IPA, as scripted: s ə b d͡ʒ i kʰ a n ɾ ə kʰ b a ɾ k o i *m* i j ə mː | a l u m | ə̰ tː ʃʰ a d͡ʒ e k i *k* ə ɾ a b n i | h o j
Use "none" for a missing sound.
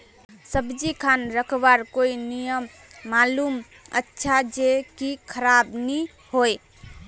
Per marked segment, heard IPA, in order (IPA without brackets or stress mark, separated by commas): n, kʰ